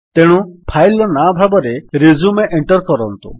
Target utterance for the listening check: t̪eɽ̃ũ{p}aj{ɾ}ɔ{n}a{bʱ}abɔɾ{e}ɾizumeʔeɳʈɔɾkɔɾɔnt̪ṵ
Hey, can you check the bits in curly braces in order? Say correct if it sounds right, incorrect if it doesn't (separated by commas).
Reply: incorrect, incorrect, correct, correct, correct